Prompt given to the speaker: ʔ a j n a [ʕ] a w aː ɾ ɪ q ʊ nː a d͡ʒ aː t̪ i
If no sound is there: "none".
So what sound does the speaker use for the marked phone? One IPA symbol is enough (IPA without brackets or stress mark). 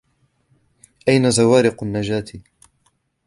z